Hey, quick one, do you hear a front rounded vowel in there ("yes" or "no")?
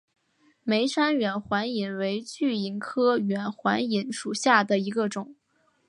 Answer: yes